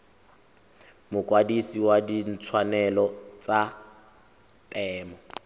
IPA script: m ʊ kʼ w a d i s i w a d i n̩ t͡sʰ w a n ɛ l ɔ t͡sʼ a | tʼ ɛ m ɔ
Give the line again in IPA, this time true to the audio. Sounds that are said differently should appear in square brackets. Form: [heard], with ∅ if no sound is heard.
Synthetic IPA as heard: m ʊ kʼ w a d i s i w a d i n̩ t͡sʰ w a n ɛ l ɔ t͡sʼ a | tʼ [ɛː] m ɔ